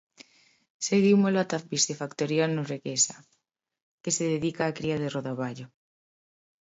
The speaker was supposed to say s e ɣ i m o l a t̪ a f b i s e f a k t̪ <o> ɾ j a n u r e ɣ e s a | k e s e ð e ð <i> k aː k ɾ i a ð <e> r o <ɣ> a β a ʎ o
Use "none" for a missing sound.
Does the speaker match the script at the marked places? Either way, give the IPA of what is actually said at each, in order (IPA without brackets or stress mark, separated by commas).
o, i, e, ð